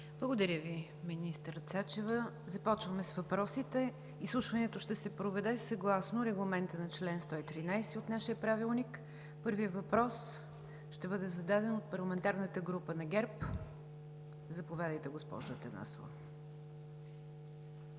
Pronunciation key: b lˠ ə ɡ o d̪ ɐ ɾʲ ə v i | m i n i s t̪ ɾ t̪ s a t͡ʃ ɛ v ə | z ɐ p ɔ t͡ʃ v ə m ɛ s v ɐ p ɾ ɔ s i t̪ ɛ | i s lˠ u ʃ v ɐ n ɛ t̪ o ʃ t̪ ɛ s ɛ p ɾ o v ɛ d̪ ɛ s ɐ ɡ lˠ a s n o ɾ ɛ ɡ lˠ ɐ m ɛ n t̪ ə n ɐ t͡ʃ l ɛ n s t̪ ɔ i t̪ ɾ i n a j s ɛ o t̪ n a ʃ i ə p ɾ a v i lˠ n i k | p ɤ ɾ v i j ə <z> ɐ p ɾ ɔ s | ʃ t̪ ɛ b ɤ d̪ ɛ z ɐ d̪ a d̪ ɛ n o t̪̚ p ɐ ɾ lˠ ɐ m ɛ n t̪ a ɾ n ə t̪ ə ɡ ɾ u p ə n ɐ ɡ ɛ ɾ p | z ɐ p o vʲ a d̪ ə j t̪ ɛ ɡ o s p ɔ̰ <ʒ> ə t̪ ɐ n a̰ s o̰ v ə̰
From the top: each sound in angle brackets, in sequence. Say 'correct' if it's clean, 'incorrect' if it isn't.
incorrect: v, correct

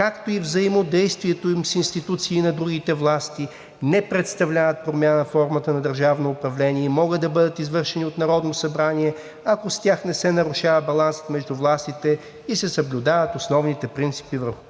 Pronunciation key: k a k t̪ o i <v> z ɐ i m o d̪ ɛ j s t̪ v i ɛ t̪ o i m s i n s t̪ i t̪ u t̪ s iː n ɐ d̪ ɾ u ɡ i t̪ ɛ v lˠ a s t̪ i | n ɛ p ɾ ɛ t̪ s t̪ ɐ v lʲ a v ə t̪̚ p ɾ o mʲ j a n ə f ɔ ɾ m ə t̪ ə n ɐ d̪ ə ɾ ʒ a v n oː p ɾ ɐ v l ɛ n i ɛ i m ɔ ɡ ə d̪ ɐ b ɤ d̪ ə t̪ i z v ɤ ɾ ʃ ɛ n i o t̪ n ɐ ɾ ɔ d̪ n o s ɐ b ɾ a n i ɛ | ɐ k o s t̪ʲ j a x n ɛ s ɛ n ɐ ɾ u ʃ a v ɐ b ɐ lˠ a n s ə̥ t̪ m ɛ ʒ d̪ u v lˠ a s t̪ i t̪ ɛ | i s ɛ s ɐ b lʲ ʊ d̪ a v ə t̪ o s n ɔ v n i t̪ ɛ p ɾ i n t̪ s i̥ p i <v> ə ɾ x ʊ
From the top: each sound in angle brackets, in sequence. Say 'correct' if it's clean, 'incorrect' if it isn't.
correct, correct

